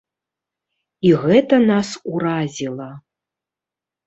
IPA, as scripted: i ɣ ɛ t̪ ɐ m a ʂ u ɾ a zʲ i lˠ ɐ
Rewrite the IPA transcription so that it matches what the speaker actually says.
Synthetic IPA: i ɣ ɛ t̪ ɐ n a s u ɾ a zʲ i lˠ ɐ